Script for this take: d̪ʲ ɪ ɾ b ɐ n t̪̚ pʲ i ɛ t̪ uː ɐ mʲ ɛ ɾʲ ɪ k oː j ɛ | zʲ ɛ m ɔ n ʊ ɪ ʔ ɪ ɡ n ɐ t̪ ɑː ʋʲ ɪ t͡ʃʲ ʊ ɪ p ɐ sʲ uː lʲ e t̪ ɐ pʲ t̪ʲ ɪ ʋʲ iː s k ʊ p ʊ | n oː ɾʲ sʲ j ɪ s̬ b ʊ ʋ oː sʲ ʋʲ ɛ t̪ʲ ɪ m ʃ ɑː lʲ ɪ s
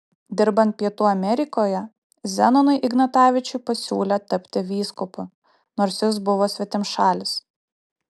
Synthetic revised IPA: d̪ʲ ɪ ɾ b ɐ n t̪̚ pʲ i ɛ t̪ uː ɐ mʲ ɛ ɾʲ ɪ k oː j ɛ | zʲ ɛ n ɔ n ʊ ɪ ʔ ɪ ɡ n ɐ t̪ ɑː ʋʲ ɪ t͡ʃʲ ʊ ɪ p ɐ sʲ uː lʲ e t̪ ɐ pʲ t̪ʲ ɪ ʋʲ iː s k ʊ p ʊ | n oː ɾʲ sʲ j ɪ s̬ b ʊ ʋ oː sʲ ʋʲ ɛ t̪ʲ ɪ m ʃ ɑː lʲ ɪ s